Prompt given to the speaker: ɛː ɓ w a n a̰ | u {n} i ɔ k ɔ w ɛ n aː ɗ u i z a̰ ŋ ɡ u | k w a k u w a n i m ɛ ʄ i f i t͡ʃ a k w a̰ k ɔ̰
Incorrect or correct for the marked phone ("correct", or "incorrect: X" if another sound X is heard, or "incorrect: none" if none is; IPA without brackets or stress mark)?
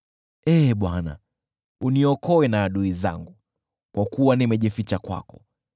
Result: correct